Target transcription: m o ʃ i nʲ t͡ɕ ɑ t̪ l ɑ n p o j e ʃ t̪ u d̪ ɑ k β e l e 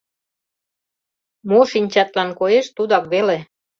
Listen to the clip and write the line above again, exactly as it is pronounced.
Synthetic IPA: m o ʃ i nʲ t͡ɕ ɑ t̪ l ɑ n k o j e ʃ t̪ u d̪ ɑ k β e l e